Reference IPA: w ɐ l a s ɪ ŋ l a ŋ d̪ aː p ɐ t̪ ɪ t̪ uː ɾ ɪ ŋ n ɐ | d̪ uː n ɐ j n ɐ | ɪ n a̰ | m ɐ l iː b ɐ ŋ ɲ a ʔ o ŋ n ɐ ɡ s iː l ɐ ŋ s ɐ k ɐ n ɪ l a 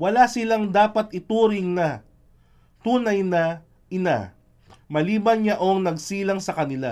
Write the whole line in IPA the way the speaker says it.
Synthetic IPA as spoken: w ɐ l a s ɪ l a ŋ d̪ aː p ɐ t̪ ɪ t̪ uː ɾ ɪ ŋ n ɐ | t̪ uː n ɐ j n ɐ | ɪ n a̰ | m ɐ l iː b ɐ n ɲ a ʔ o ŋ n ɐ ɡ s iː l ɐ ŋ s ɐ k ɐ n ɪ l a